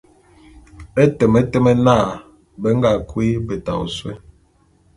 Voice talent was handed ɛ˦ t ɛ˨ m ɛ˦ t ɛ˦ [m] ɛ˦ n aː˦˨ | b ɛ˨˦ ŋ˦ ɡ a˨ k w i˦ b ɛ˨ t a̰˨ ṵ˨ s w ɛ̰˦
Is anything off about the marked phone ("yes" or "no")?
no